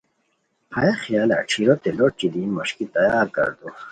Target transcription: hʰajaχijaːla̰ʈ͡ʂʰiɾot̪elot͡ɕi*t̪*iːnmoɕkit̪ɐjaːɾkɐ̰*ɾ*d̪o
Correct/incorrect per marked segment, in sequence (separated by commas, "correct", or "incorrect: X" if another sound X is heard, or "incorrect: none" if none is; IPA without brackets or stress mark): incorrect: d̪, correct